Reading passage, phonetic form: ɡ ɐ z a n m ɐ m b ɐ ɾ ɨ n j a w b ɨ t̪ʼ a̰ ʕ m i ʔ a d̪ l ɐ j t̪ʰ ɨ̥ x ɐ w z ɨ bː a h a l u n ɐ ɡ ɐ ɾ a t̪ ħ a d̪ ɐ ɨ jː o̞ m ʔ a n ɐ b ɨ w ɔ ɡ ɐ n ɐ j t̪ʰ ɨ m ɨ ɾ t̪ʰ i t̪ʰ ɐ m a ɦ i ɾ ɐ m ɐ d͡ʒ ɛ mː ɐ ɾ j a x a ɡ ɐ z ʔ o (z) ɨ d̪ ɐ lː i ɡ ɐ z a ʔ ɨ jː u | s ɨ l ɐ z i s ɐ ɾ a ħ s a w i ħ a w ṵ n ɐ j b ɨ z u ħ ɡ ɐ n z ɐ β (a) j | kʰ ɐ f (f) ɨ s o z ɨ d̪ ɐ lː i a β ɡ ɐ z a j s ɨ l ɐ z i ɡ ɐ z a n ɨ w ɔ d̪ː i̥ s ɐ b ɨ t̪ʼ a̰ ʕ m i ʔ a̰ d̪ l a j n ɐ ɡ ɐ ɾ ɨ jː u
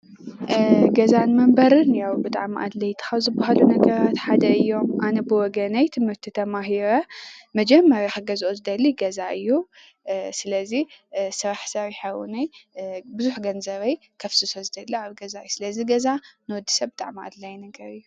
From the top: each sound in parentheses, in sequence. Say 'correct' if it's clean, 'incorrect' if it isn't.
correct, incorrect, incorrect

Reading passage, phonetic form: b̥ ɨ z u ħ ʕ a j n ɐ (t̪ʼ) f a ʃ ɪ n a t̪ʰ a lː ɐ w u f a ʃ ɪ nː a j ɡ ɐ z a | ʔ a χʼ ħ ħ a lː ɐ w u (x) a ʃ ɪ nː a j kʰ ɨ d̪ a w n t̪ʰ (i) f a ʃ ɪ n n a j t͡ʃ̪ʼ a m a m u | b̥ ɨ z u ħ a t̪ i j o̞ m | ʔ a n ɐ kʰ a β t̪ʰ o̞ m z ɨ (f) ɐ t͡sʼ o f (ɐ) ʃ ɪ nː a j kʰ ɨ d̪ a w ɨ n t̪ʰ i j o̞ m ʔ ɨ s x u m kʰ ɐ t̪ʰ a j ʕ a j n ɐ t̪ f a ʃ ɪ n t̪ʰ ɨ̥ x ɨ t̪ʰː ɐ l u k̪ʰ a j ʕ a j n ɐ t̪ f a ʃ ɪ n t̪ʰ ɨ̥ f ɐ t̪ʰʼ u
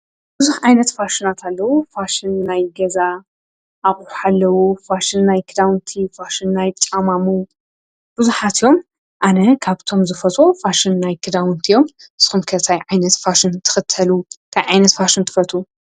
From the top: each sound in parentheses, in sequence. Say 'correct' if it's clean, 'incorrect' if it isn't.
incorrect, incorrect, correct, correct, incorrect

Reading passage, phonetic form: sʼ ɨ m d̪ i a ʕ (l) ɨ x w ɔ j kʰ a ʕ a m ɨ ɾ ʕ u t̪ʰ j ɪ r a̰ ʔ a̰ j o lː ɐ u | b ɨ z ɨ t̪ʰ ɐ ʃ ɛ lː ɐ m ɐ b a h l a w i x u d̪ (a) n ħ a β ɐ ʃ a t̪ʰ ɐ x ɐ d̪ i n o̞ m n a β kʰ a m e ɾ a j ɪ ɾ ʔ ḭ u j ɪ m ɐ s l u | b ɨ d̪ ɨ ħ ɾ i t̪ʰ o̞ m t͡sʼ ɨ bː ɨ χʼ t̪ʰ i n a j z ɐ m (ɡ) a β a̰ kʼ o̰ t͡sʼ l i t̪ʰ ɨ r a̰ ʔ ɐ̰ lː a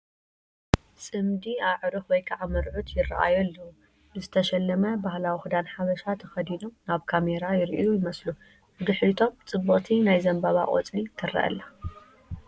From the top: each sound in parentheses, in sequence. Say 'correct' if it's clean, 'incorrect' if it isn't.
incorrect, correct, incorrect

